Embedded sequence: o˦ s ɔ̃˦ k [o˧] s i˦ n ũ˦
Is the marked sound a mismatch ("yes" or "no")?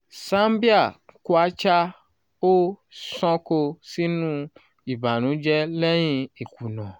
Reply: no